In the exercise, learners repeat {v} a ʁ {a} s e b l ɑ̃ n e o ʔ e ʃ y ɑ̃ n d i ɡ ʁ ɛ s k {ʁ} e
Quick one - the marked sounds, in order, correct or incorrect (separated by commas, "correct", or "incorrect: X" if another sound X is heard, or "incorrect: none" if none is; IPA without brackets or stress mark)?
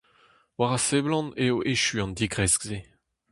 incorrect: w, correct, incorrect: z